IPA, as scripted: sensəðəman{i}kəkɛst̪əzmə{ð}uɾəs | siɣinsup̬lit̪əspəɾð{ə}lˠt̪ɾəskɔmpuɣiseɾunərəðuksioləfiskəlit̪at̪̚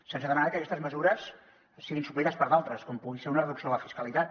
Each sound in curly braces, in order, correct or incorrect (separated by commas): incorrect, incorrect, incorrect